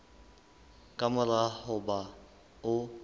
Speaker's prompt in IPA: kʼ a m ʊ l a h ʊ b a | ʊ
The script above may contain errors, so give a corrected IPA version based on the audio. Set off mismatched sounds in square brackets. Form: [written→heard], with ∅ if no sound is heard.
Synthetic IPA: kʼ a m ʊ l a h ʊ b a | ʊ